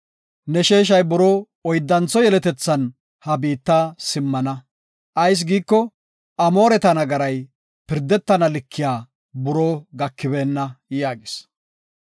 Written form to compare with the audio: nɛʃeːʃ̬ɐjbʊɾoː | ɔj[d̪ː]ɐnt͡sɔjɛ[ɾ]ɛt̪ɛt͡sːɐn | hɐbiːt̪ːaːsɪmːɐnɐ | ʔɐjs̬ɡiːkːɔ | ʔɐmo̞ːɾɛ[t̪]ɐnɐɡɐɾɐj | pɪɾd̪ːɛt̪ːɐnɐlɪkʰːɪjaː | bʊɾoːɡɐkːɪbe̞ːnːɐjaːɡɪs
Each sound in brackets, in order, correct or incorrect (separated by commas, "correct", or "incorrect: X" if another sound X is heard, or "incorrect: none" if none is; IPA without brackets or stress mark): correct, incorrect: l, correct